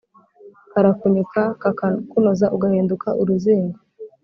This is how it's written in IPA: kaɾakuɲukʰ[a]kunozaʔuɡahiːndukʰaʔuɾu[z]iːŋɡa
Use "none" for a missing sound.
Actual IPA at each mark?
a, z

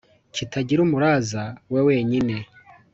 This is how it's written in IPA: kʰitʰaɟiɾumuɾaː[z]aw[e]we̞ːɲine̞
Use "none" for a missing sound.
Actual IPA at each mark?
z, e

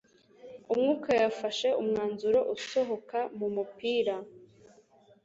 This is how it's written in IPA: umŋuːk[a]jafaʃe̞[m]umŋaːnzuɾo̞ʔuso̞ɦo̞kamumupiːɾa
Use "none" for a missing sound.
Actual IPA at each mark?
a, none

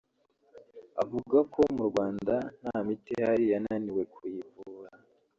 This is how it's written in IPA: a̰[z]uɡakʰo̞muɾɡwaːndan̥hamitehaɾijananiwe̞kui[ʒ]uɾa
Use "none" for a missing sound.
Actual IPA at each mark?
v, v

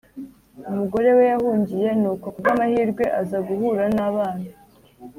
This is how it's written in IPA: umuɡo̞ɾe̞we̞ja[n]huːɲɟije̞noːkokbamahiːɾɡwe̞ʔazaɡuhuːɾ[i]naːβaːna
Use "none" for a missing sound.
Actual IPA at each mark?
none, a

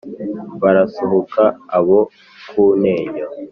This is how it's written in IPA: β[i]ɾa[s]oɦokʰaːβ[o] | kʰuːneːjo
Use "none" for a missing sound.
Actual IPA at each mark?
a, s, o

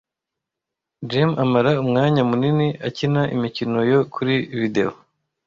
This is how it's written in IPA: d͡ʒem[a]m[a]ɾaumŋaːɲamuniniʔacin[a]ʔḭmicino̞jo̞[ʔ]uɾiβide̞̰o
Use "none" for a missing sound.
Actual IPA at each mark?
a, a, a, k

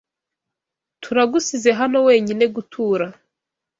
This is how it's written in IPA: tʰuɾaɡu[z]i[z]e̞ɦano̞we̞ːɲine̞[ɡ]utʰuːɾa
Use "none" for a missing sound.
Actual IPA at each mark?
s, z, ɡ

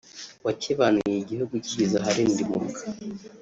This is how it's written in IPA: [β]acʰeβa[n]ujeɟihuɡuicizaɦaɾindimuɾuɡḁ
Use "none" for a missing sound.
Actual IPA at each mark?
w, n

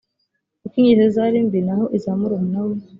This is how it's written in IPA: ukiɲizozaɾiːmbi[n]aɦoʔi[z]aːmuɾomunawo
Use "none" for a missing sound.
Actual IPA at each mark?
n, z

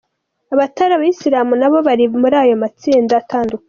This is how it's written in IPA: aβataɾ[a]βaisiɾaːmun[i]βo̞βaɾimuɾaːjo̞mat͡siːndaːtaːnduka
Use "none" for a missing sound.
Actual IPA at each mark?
a, a

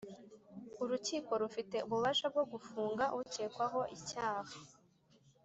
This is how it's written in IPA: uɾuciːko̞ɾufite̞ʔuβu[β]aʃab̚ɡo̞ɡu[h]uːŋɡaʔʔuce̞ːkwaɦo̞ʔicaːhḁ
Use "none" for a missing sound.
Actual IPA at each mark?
β, f

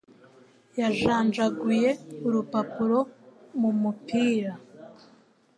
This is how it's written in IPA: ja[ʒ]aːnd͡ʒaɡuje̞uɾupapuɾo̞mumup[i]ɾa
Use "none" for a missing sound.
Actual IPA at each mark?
ʒ, iː

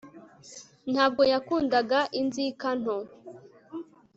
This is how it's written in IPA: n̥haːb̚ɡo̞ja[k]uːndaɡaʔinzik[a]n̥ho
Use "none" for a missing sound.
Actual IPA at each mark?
k, a

